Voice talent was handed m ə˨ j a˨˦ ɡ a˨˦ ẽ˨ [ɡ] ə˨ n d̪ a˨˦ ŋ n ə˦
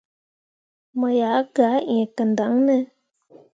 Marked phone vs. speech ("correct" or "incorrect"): incorrect